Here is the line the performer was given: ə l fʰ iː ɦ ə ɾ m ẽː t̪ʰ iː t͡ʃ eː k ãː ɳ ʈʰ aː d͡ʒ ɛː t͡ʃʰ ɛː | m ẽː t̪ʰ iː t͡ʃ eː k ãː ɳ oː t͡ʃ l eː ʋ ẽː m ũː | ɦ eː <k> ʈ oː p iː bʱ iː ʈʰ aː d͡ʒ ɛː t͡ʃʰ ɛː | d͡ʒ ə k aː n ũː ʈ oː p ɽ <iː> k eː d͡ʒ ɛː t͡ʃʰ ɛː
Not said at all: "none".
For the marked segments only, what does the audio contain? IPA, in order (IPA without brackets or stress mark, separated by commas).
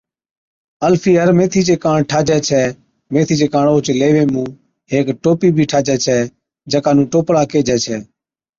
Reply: k, aː